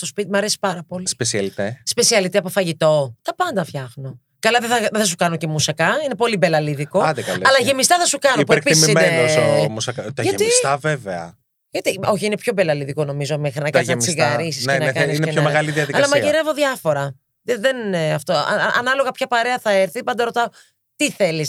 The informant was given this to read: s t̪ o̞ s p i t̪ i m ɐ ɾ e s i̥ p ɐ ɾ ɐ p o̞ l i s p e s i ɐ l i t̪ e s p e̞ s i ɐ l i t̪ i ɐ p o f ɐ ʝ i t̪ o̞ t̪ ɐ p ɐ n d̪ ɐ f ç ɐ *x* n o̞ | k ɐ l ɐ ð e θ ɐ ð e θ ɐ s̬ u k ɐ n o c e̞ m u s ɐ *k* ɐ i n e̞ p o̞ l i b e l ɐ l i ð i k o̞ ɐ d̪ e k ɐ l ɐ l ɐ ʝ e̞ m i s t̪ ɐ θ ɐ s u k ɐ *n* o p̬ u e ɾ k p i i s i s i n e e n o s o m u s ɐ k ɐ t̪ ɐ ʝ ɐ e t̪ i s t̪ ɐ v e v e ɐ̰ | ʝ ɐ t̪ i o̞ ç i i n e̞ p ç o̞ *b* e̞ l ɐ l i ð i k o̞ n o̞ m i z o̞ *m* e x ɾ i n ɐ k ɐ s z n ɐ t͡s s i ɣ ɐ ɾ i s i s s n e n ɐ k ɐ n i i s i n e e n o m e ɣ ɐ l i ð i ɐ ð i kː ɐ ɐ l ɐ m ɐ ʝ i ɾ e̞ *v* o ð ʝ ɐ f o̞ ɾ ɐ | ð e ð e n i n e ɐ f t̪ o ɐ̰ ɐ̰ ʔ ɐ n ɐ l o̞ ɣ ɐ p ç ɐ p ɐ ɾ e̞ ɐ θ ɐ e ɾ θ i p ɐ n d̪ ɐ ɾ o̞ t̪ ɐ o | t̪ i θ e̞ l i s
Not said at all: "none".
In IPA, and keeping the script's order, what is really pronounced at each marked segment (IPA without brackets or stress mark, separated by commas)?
x, k, n, b, m, v